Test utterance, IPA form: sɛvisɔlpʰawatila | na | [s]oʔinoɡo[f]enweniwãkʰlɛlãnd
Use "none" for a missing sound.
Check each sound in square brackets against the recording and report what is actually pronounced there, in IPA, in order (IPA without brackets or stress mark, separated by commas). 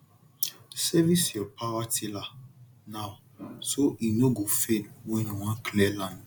s, f